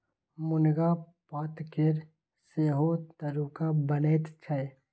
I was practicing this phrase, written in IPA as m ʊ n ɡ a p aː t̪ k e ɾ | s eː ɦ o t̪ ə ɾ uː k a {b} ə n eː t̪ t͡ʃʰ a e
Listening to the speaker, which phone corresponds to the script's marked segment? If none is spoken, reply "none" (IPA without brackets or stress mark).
b